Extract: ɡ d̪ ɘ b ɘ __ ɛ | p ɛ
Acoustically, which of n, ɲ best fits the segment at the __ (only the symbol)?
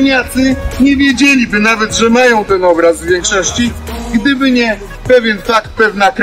ɲ